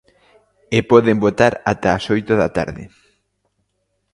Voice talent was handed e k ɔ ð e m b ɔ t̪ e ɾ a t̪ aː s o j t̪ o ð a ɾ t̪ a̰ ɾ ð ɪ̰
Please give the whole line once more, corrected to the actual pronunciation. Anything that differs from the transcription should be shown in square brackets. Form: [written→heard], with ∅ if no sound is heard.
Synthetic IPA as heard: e [k→p] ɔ ð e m b [ɔ→o] t̪ [e→a] ɾ a t̪ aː s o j t̪ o ð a [ɾ→∅] t̪ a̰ ɾ ð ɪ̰

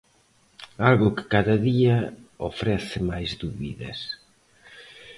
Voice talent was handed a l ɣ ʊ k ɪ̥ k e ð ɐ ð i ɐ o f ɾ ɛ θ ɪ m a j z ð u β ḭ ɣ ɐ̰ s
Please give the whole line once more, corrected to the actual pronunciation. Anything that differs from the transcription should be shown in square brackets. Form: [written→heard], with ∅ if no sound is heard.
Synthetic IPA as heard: a l ɣ ʊ k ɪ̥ k [e→a] ð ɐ ð i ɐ o f ɾ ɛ θ ɪ m a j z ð u β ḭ [ɣ→ð] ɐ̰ s

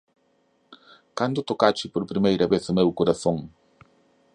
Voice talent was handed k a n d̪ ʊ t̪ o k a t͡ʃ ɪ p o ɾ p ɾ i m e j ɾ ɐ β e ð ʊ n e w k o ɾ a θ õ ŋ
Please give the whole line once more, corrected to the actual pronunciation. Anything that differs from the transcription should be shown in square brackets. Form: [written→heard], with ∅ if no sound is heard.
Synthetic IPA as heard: k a n d̪ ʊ t̪ o k a t͡ʃ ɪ p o ɾ p ɾ i m e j ɾ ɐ β e [ð→θ] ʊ [n→m] e w k o ɾ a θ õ ŋ

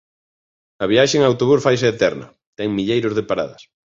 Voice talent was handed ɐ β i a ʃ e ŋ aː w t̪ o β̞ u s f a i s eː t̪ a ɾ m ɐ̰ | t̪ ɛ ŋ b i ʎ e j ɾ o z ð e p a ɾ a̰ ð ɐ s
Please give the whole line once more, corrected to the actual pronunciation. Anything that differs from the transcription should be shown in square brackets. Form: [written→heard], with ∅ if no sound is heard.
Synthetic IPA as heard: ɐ β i a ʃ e ŋ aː w t̪ o β̞ u s f a [i→j] s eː t̪ [a→ɛ] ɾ [m→n] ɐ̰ | t̪ ɛ ŋ [b→m] i ʎ e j ɾ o z ð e p a ɾ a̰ ð ɐ s

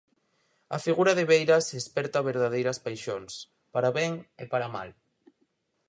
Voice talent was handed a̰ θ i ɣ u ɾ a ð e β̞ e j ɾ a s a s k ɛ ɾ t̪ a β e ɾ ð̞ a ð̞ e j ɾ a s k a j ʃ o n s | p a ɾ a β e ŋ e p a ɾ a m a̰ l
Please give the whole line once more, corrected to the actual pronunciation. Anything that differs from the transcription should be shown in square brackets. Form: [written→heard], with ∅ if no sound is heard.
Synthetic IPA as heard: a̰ [θ→f] i ɣ u ɾ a ð e β̞ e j ɾ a s [a→e] s [k→p] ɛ ɾ t̪ a β e ɾ ð̞ a ð̞ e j ɾ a s [k→p] a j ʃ o n s | p a ɾ a β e ŋ e p a ɾ a m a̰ l

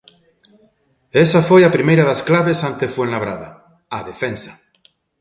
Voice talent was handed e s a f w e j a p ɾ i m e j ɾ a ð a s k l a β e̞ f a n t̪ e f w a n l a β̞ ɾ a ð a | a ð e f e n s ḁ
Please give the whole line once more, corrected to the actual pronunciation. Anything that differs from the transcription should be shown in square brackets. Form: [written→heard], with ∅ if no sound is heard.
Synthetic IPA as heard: e s a f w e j a p ɾ i m e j ɾ a ð a s k l a β e̞ [f→s] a n t̪ e f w [a→e] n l a β̞ ɾ a ð a | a ð e f e n s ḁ

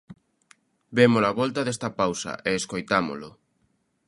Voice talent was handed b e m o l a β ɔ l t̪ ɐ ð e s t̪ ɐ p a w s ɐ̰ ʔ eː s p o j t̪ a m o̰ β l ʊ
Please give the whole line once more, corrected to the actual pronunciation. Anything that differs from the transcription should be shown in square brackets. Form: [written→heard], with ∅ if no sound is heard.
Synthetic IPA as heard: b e m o l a β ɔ l t̪ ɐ ð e s t̪ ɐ p a w s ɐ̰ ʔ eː s [p→k] o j t̪ a m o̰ [β→∅] l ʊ

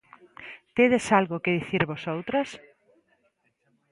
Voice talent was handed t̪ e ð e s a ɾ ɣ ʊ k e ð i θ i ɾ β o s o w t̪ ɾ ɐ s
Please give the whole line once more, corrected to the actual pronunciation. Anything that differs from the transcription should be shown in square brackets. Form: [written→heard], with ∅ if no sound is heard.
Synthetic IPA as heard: t̪ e ð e s a [ɾ→l] ɣ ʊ k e ð i θ i ɾ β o s o w t̪ ɾ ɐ s

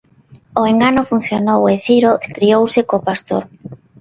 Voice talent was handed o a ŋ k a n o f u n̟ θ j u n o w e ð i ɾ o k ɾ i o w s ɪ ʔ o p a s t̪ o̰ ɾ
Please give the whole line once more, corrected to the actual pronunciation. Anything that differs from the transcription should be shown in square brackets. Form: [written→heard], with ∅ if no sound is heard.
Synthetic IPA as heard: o [a→e] ŋ [k→ɡ] a n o f u n̟ θ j [u→o] n o w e [ð→θ] i ɾ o k ɾ i o w s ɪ [ʔ→k] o p a s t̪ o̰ ɾ

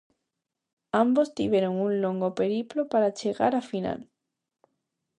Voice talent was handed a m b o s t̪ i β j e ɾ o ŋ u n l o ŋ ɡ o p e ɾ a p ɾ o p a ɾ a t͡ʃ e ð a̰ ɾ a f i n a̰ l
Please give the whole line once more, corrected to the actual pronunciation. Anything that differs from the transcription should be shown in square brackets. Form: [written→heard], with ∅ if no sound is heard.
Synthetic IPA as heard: a m b o s t̪ i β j e ɾ o ŋ u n l o ŋ ɡ o p e ɾ [a→i] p [ɾ→l] o p a ɾ a t͡ʃ e [ð→ɣ] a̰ ɾ a f i n a̰ l

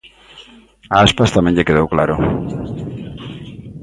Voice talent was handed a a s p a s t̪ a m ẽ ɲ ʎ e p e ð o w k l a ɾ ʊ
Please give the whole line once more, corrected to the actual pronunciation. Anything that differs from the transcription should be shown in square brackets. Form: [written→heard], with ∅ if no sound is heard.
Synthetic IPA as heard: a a s p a s t̪ a m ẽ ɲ ʎ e [p→k] e ð o w k l a ɾ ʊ

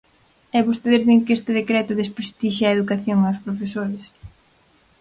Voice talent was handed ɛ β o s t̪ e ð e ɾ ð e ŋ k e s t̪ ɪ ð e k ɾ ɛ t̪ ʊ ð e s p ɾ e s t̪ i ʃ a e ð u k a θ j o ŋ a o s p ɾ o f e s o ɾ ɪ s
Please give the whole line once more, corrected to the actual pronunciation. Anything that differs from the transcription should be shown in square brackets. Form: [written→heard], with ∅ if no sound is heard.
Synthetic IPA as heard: ɛ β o s t̪ e ð e ɾ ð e ŋ k e s t̪ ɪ ð e k ɾ ɛ t̪ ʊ ð e s p ɾ e s t̪ i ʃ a e ð u k a θ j o ŋ a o s p ɾ o f e s o ɾ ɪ s

